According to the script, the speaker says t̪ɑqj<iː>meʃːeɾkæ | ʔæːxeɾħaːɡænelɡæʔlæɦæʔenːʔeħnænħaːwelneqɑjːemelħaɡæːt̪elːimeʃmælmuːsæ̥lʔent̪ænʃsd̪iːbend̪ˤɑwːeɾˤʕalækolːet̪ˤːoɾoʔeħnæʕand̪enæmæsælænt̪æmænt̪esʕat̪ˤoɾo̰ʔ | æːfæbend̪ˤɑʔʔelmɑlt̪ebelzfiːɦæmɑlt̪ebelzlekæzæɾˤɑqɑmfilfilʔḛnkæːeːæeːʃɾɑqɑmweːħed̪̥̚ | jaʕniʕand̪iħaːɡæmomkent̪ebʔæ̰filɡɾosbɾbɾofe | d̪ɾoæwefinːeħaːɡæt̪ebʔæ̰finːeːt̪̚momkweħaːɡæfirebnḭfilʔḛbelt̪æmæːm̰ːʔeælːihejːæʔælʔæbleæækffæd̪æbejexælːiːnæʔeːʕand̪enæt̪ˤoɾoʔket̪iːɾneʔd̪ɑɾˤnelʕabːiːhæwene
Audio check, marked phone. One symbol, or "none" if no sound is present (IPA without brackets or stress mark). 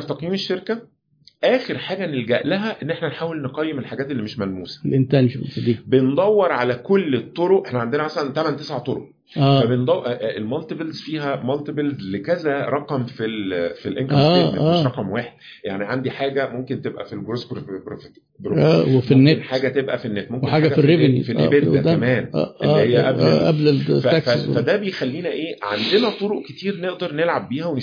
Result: iː